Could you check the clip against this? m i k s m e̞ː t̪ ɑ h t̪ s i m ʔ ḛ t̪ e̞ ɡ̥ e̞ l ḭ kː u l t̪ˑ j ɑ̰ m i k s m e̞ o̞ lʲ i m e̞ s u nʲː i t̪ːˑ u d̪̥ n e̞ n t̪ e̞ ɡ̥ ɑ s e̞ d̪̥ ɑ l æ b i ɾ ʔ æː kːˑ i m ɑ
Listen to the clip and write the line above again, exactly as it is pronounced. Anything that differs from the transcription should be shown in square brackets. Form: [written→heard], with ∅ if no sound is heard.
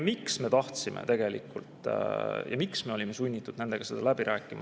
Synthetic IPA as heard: m i k s m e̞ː t̪ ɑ h t̪ s i m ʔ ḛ t̪ e̞ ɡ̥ e̞ l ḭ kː u l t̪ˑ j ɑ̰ m i k s m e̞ o̞ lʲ i m e̞ s u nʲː i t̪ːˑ u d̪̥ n e̞ n [t̪→d̪] e̞ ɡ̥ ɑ s e̞ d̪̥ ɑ l æ b i ɾ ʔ æː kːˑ i m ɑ

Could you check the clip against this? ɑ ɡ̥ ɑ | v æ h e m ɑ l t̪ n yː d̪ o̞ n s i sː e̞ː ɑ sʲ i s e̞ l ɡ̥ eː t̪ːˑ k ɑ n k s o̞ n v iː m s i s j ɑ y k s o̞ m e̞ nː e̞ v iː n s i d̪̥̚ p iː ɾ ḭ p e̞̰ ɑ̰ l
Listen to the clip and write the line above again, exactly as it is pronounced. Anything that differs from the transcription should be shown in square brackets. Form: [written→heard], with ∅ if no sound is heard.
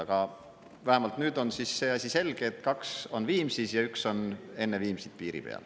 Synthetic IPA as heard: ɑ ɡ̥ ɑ | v æ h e m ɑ l t̪ n yː d̪ o̞ n s i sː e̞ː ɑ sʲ i s e̞ l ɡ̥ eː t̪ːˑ k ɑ [n→∅] k s o̞ n v iː m s i s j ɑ y k s o̞ [m→n] e̞ nː e̞ v iː [n→m] s i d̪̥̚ p iː ɾ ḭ p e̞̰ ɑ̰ l

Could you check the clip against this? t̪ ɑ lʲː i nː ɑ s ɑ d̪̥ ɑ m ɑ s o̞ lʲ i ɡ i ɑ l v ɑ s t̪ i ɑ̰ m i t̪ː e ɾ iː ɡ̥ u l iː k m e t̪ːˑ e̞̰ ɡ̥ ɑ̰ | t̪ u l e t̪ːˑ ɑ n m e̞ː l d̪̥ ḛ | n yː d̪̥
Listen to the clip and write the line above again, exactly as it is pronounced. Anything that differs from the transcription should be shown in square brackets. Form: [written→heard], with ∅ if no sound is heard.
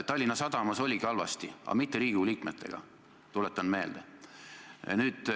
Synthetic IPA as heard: t̪ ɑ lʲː i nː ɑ s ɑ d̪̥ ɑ m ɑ s o̞ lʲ i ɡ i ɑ l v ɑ s t̪ i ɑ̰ m i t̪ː e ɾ iː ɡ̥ u l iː k m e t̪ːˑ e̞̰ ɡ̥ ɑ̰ | t̪ u l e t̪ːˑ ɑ n m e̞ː l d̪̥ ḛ | n yː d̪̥

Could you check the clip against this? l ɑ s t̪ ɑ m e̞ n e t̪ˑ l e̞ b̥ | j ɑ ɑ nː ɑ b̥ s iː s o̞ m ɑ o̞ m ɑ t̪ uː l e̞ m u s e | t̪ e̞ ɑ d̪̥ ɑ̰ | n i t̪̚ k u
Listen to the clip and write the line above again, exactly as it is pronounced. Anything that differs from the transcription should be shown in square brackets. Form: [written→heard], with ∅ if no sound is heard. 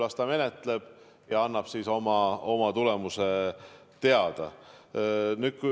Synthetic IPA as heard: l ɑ s t̪ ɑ m e̞ n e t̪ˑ l e̞ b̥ | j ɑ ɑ nː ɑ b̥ s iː s o̞ m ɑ o̞ m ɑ t̪ [uː→u] l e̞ m u s e | t̪ e̞ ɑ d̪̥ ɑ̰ | n [i→y] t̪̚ k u

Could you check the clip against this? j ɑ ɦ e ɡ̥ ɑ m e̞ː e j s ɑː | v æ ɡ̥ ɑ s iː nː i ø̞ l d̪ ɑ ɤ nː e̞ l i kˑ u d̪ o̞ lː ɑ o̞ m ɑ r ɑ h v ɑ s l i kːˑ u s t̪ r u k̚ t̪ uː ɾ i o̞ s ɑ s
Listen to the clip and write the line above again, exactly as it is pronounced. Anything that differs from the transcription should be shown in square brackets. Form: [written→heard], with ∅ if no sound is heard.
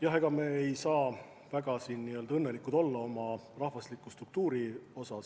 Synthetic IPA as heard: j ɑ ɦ e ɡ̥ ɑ m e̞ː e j s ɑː | v æ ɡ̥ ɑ s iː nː i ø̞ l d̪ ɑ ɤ nː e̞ l i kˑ u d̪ o̞ lː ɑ o̞ m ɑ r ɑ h v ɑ s l i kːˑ u s t̪ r u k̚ t̪ uː ɾ i o̞ s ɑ s

